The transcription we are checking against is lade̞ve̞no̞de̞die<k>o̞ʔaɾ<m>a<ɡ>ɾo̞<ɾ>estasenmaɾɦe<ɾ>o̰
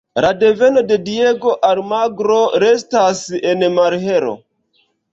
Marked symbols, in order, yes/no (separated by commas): no, yes, yes, yes, yes